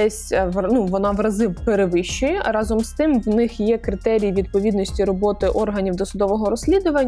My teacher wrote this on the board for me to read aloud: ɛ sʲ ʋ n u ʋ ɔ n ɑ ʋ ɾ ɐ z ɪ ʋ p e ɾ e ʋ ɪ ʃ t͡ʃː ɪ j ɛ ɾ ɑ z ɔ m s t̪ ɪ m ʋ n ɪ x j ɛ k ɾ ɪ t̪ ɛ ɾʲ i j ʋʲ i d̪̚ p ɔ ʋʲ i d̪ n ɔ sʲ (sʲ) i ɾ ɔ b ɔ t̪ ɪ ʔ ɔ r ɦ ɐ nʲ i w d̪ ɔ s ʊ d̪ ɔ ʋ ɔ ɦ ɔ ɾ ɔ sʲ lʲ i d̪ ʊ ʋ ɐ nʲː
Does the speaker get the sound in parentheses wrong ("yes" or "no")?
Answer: yes